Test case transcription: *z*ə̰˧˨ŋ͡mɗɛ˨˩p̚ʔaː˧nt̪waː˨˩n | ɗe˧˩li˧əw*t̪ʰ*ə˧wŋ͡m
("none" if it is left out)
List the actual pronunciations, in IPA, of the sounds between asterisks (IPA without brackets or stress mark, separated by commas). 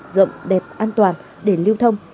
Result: z, t̪ʰ